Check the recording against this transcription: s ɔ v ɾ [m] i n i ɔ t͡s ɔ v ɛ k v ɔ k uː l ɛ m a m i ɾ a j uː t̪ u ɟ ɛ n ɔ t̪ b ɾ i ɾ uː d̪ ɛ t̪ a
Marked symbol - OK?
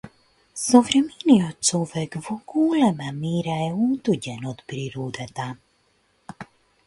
yes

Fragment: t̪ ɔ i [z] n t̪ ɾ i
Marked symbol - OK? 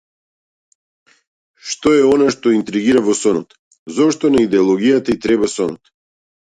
no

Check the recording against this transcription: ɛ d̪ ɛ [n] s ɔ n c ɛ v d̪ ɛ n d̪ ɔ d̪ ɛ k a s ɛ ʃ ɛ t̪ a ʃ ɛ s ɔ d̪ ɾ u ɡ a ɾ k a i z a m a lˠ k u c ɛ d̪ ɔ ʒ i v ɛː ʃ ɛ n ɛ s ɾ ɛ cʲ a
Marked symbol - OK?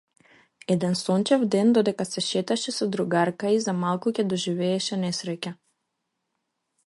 yes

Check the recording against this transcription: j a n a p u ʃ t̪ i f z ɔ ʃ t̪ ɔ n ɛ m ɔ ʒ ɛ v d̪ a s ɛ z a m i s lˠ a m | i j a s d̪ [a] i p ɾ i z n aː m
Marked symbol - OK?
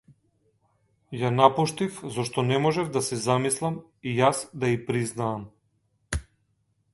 yes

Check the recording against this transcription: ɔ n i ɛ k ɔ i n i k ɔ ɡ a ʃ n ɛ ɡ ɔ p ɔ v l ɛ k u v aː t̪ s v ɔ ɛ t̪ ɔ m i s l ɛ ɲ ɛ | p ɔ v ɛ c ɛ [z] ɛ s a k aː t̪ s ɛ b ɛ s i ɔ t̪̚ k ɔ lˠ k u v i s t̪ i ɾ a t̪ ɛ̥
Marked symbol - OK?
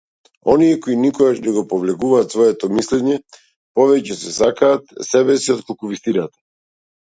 no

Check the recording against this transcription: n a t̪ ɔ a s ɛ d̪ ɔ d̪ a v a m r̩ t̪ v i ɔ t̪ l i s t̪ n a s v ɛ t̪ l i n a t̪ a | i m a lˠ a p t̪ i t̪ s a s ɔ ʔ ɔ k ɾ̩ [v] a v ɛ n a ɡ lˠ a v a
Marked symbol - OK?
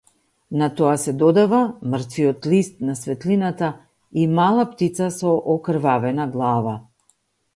yes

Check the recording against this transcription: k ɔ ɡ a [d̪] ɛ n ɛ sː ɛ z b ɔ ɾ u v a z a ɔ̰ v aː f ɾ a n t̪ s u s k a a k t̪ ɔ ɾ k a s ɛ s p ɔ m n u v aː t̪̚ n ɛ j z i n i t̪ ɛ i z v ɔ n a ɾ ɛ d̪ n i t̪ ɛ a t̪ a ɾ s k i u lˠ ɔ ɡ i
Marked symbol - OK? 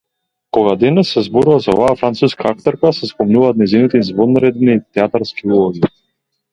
yes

